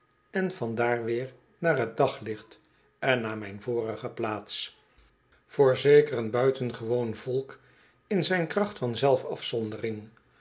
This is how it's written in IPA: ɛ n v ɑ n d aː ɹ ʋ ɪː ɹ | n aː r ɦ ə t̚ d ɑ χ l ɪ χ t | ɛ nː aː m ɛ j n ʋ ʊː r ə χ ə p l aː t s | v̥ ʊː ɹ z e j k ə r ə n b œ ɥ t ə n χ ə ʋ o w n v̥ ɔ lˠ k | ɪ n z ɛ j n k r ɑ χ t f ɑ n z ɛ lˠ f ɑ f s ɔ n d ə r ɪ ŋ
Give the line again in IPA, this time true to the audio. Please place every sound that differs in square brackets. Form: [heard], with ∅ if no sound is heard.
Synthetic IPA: ɛ n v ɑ n d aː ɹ ʋ ɪː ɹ | n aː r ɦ ə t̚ d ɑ χ l ɪ χ t | ɛ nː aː m ɛ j n [v] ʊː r ə χ ə p l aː t s | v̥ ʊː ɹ z e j k ə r ə n b œ ɥ t ə n χ ə ʋ o w n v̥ ɔ lˠ k | ɪ n z ɛ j n k r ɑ χ t f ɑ n z ɛ lˠ f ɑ f s ɔ n d ə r ɪ ŋ